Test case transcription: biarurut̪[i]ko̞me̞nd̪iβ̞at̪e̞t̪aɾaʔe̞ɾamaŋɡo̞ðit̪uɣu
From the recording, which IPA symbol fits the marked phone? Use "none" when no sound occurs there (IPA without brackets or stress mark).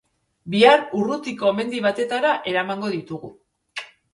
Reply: i